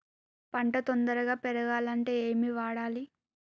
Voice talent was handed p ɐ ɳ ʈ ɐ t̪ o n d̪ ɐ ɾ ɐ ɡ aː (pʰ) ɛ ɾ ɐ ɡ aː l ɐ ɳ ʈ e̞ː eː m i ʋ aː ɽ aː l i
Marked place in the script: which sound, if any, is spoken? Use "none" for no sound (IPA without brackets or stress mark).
p